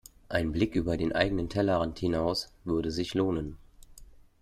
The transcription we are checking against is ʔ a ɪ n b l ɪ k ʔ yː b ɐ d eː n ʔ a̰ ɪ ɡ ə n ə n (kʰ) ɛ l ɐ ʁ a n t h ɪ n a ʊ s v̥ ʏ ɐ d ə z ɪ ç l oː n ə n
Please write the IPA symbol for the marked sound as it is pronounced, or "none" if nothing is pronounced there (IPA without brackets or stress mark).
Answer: tʰ